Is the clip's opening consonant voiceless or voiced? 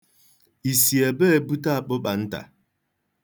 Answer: voiceless